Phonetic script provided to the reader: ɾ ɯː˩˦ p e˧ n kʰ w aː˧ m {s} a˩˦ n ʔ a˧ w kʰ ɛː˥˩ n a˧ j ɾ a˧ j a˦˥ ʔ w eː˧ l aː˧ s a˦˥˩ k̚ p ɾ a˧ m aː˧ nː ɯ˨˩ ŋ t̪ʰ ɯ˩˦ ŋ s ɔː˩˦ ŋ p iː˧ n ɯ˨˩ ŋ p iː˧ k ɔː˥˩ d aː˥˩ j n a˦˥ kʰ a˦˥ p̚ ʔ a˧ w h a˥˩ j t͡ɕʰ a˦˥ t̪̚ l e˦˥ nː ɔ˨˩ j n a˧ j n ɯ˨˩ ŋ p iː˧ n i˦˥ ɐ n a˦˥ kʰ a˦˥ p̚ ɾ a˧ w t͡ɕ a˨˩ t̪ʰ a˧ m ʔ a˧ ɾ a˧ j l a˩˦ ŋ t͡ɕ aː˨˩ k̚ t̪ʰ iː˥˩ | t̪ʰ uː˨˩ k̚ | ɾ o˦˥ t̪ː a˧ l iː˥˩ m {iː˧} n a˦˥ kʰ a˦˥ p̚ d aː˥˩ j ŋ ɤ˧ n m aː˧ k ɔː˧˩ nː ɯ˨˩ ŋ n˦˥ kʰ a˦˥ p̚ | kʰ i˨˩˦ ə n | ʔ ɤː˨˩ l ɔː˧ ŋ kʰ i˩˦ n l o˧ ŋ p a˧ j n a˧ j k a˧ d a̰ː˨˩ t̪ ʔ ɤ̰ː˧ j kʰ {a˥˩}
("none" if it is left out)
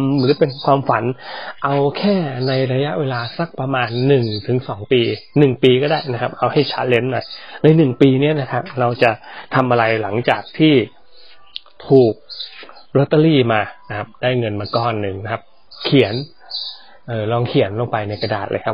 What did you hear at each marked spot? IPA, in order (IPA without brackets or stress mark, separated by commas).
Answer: f, aː˧, a˦˥